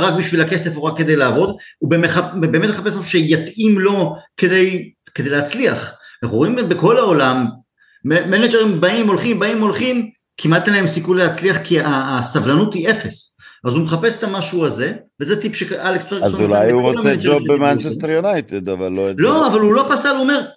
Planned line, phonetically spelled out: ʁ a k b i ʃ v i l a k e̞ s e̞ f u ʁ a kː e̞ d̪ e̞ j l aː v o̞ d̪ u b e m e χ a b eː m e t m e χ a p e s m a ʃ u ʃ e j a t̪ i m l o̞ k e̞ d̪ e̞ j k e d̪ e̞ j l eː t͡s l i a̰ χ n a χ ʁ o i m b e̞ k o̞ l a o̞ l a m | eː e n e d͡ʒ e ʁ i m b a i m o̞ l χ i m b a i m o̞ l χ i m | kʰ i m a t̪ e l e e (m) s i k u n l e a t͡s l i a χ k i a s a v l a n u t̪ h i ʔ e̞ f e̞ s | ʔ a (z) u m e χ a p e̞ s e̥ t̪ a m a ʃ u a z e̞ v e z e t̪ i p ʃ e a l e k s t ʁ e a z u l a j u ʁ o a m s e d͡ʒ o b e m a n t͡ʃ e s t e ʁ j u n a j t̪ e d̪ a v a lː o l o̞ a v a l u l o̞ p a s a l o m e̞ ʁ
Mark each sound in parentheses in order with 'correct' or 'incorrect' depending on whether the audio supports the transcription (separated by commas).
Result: correct, correct